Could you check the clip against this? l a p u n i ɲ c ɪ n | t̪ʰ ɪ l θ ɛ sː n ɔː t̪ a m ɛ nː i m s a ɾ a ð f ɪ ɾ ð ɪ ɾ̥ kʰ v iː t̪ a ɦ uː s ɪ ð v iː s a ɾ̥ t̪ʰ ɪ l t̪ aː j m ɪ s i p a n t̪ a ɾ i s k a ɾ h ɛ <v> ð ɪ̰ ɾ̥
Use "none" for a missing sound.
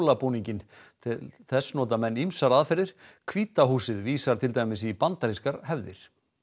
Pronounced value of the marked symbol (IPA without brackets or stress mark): v